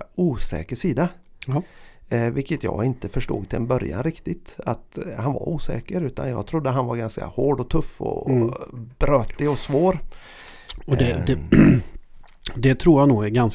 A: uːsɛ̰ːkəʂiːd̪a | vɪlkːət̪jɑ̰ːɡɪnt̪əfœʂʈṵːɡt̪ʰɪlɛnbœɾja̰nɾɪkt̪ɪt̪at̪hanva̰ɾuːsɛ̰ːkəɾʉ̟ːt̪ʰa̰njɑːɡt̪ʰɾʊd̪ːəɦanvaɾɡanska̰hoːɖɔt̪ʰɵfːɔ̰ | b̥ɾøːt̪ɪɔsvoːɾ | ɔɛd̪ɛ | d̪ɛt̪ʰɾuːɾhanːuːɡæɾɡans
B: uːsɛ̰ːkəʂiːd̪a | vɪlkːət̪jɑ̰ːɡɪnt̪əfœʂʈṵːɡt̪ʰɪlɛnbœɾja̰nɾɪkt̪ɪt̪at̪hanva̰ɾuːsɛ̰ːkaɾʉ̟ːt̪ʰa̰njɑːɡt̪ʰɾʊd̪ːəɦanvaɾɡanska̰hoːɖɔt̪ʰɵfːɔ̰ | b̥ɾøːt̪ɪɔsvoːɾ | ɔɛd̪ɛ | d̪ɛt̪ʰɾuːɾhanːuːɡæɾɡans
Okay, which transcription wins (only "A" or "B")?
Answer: A